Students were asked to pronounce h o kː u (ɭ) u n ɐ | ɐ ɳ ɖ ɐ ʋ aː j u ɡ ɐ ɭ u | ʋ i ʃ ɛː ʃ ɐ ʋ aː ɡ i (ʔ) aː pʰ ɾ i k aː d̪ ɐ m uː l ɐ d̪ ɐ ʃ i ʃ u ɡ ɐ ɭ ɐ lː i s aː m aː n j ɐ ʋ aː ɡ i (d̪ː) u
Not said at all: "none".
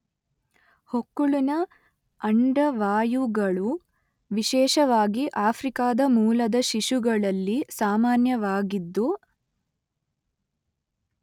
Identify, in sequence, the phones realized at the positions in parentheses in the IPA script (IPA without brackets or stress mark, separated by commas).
ɭ, ʔ, d̪ː